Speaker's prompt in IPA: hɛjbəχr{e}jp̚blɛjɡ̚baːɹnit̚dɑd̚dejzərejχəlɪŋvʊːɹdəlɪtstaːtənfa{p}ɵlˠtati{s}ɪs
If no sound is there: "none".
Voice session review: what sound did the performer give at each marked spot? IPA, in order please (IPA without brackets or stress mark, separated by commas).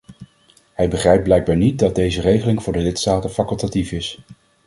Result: ɛ, k, f